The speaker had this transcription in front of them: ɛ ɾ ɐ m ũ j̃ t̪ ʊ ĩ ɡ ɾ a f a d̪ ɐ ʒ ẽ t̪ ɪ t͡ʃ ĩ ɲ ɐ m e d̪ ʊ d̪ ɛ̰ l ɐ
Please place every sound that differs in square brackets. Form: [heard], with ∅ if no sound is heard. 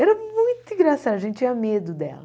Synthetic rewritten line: ɛ ɾ ɐ m ũ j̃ t̪ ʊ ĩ ɡ ɾ a [s] a d̪ ɐ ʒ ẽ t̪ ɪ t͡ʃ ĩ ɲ ɐ m e d̪ ʊ d̪ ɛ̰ l ɐ

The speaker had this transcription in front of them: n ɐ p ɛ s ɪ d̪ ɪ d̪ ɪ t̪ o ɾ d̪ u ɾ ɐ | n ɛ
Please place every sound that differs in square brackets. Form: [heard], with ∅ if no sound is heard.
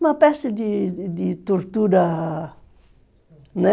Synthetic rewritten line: [m] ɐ p ɛ s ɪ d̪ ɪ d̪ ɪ t̪ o ɾ [t̪] u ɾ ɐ | n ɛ

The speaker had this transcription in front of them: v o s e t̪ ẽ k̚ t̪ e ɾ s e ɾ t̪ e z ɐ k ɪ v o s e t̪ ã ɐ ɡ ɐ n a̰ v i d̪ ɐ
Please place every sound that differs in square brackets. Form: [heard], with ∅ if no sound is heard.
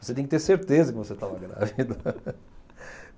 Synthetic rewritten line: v o s e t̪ ẽ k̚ t̪ e ɾ s e ɾ t̪ e z ɐ k ɪ v o s e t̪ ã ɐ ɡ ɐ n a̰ v i d̪ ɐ

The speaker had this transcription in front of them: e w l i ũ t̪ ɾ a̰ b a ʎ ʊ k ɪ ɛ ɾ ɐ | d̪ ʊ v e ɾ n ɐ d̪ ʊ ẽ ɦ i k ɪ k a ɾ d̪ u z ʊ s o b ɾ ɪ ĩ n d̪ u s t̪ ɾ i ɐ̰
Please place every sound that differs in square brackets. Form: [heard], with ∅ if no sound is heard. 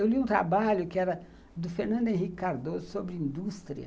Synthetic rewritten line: e w l i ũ t̪ ɾ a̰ b a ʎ ʊ k ɪ ɛ ɾ ɐ | d̪ ʊ [f] e ɾ n [ɐ̃] d̪ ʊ ẽ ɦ i k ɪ k a ɾ d̪ [o] z ʊ s o b ɾ ɪ ĩ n d̪ u s t̪ ɾ i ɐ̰

